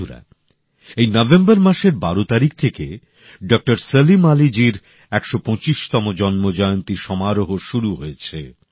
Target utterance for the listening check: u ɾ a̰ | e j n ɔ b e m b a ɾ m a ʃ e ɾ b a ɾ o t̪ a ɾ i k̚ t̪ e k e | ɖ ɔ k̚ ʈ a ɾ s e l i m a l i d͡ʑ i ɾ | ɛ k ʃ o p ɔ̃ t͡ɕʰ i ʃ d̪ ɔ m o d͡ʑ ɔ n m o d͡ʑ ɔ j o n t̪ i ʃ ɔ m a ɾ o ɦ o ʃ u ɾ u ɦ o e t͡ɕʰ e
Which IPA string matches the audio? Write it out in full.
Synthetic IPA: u ɾ a̰ | e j n ɔ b e m b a ɾ m a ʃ e ɾ b a ɾ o t̪ a ɾ i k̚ t̪ʰ e k e | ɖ ɔ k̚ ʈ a ɾ s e l i m a l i d͡ʑ i ɾ | ɛ k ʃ o p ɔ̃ t͡ɕ i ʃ t̪ ɔ m o d͡ʑ ɔ n m o d͡ʑ ɔ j o n t̪ i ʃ ɔ m a ɾ o ɦ o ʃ u ɾ u ɦ o e t͡ɕʰ e

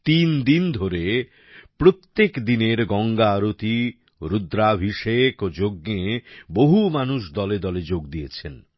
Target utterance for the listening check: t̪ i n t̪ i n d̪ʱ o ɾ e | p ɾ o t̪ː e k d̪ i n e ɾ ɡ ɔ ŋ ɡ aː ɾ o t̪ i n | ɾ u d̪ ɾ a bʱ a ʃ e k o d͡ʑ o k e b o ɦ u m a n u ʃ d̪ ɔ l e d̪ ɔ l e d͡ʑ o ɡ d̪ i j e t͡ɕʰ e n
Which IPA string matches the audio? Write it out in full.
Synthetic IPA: t̪ i n d̪ i n d̪ʱ o ɾ e | p ɾ o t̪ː e k d̪ i n e ɾ ɡ ɔ ŋ ɡ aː ɾ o t̪ i | ɾ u d̪ ɾ a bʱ i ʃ e k o d͡ʑ o ɡ e b o ɦ u m a n u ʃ d̪ ɔ l e d̪ ɔ l e d͡ʑ o ɡ d̪ i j e t͡ɕʰ e n

